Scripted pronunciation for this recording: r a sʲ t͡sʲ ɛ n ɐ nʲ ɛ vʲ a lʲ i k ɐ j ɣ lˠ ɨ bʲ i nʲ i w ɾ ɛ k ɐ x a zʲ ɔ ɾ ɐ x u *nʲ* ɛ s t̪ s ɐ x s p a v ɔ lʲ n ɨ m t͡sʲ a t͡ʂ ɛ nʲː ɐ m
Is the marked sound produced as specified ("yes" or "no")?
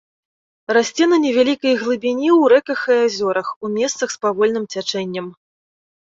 no